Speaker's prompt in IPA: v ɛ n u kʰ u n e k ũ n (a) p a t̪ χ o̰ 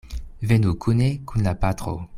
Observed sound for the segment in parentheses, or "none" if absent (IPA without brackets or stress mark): a